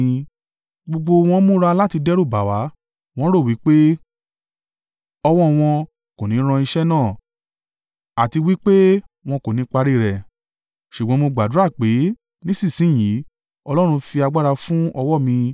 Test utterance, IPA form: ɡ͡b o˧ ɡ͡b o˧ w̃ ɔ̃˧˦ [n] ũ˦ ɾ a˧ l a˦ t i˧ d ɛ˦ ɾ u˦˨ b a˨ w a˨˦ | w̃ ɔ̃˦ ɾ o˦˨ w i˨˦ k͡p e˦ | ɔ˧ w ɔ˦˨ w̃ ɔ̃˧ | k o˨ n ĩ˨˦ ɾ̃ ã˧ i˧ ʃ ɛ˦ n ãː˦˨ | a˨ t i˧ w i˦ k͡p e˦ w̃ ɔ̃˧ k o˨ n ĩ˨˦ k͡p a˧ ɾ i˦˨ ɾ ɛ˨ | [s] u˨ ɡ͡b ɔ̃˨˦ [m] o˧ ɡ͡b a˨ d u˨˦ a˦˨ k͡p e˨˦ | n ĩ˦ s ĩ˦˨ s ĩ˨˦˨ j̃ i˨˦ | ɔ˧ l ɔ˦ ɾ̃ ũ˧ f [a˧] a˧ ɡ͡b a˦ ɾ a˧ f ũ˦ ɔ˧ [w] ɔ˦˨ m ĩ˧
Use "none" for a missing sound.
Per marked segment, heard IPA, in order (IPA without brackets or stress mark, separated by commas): m, ʃ, m, i˧, w